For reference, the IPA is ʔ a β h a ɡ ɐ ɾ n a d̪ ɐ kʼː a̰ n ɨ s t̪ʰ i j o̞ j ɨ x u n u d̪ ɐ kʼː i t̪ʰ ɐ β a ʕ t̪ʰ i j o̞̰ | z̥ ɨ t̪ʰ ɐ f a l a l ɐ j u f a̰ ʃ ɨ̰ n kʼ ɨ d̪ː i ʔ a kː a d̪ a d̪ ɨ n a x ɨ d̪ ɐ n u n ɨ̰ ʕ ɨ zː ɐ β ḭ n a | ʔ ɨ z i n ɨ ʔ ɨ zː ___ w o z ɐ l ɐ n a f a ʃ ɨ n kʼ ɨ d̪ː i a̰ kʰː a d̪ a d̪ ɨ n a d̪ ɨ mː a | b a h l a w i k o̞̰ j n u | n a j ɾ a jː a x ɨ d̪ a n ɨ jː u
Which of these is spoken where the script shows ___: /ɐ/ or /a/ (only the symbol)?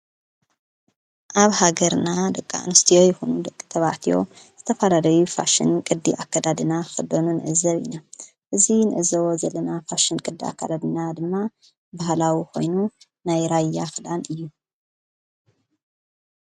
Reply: ɐ